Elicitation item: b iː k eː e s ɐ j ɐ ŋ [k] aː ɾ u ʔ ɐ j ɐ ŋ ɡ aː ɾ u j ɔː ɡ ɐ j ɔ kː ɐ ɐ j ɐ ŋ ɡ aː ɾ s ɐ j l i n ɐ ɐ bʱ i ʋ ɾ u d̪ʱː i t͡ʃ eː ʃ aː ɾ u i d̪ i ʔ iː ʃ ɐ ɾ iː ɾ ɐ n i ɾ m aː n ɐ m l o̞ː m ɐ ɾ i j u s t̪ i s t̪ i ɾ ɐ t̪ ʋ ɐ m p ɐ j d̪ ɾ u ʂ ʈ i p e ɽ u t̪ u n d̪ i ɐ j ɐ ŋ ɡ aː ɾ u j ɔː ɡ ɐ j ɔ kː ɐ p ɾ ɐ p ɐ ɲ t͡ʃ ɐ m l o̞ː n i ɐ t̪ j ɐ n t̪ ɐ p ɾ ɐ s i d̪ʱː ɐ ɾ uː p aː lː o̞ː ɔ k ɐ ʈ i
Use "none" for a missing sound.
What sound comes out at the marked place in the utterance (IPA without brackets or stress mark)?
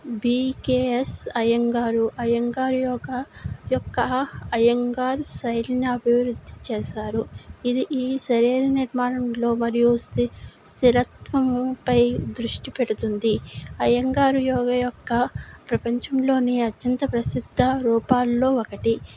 ɡ